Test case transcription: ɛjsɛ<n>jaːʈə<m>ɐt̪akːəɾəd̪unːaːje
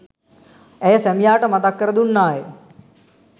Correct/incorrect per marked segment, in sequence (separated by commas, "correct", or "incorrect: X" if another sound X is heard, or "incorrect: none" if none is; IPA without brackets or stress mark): incorrect: m, correct